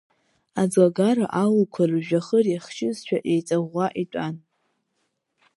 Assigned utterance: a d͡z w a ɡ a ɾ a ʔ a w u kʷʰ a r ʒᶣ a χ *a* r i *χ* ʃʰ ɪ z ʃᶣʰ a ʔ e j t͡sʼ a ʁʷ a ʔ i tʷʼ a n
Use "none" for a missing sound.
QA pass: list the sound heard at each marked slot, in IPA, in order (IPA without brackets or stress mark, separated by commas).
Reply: ə, χ